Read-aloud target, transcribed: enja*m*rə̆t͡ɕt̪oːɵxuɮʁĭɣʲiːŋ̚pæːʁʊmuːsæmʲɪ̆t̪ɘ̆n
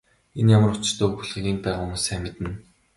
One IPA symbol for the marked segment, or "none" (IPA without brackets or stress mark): m